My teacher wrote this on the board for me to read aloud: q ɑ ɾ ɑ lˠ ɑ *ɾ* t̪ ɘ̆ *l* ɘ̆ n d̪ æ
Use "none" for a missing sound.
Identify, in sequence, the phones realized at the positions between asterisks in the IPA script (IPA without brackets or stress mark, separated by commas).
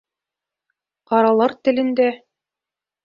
ɾ, l